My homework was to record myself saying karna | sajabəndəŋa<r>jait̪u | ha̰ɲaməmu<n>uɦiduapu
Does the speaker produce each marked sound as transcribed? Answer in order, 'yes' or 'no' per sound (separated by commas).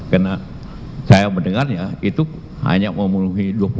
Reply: yes, yes